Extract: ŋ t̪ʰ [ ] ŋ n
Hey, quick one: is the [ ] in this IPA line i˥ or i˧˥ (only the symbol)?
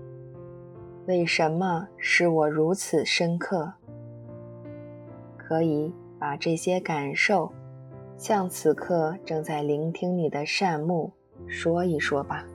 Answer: i˥